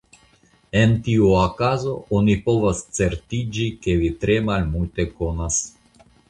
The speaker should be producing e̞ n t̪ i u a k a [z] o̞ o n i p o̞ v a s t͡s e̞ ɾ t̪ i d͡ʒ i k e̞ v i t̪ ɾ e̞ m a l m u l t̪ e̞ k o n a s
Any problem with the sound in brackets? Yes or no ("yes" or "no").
no